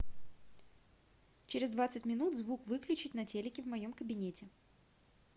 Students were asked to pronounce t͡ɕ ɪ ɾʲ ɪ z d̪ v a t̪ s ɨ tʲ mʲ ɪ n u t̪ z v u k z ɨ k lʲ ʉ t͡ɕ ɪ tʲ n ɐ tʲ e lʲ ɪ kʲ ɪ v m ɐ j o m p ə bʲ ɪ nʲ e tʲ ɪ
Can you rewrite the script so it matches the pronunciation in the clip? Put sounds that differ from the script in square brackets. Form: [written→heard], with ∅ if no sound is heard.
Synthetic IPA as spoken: t͡ɕ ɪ ɾʲ ɪ z d̪ v a t̪ s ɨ tʲ mʲ ɪ n u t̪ z v u k [z→v] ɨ k lʲ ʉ t͡ɕ ɪ tʲ n ɐ tʲ e lʲ ɪ kʲ ɪ v m ɐ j o m [p→k] ə bʲ ɪ nʲ e tʲ ɪ